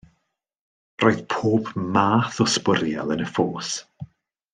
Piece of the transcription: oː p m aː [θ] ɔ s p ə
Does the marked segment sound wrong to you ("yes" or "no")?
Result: no